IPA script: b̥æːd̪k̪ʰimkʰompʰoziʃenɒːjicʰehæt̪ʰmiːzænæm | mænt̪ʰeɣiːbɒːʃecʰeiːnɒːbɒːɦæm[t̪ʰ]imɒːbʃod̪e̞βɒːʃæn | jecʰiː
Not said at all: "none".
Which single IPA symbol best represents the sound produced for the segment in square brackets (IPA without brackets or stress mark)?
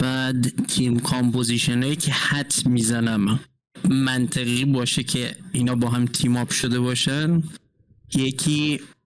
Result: t̪ʰ